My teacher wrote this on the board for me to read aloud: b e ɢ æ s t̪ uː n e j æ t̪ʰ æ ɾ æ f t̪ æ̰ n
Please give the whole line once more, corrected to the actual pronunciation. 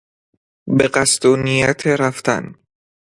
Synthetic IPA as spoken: b e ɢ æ s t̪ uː n i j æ t̪ʰ e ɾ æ f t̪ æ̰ n